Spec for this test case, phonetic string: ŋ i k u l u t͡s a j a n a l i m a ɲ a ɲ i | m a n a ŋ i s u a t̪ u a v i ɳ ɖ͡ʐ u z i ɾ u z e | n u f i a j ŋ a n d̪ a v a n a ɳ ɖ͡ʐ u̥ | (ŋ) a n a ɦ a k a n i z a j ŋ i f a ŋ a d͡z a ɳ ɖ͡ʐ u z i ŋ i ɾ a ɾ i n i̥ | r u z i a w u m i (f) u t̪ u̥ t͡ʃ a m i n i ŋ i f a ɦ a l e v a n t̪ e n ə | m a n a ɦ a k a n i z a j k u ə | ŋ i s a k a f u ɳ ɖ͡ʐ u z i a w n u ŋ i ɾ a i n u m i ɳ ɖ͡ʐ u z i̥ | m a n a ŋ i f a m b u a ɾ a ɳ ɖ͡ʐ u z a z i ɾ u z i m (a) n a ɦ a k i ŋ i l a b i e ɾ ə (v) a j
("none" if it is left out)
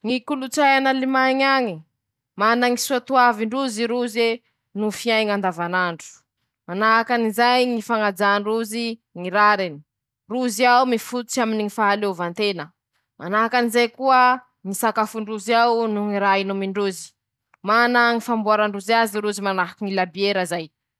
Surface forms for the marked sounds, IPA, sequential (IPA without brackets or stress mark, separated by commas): m, f, a, z